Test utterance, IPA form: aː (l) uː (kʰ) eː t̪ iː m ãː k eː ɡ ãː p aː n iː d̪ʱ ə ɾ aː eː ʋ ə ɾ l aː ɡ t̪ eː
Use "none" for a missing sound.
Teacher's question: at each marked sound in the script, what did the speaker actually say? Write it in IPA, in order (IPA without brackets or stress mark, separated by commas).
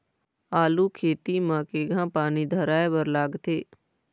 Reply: l, kʰ